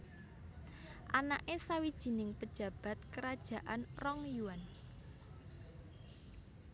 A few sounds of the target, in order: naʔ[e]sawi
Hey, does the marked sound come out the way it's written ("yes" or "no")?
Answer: yes